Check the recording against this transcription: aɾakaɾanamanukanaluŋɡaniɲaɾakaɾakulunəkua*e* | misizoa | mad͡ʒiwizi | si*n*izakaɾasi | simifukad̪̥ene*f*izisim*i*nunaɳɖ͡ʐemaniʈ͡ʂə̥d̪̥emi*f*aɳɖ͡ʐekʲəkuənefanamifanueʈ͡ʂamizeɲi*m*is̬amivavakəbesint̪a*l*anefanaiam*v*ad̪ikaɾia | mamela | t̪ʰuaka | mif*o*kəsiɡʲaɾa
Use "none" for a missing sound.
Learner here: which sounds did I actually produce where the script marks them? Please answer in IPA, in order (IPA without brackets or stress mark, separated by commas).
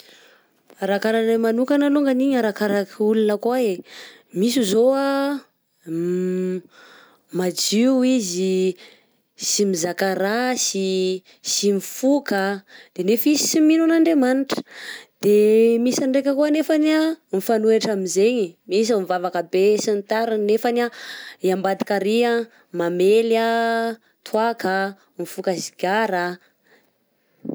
e, m, f, i, s, m, ɾ, b, u